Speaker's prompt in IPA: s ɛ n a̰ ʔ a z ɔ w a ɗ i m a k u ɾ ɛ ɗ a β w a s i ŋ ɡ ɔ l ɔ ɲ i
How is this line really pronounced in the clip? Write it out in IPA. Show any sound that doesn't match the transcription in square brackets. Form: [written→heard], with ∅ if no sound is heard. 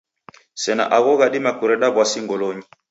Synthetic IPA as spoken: s ɛ n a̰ ʔ a [z→ɣ] ɔ [w→ɣ] a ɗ i m a k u ɾ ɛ ɗ a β w a s i ŋ ɡ ɔ l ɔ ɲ i